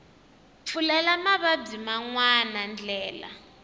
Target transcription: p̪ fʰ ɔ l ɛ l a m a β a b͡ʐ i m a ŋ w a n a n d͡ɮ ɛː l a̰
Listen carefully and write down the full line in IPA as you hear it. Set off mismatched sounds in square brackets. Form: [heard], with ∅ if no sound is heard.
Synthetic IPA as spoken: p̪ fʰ [u] l ɛ l a m a β a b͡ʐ i m a ŋ w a n a n d͡ɮ ɛː l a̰